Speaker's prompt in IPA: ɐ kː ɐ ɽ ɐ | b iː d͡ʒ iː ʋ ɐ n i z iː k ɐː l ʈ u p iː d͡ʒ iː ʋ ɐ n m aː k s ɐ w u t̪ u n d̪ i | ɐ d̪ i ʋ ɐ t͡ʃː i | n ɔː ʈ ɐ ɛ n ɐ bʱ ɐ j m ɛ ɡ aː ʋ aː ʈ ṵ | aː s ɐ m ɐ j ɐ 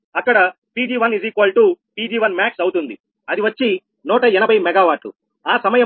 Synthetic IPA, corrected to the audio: ɐ kː ɐ ɽ ɐ | p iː d͡ʒ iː ʋ ɐ n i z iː k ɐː l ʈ u p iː d͡ʒ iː ʋ ɐ n m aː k s ɐ w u t̪ u n d̪ i | ɐ d̪ i ʋ ɐ t͡ʃː i | n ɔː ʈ ɐ ɛ n ɐ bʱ ɐ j m ɛ ɡ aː ʋ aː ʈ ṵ | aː s ɐ m ɐ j ɐ